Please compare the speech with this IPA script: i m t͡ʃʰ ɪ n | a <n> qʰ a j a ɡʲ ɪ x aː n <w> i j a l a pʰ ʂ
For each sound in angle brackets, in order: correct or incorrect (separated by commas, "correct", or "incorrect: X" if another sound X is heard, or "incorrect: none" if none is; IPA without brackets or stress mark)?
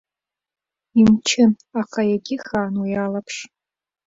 incorrect: none, correct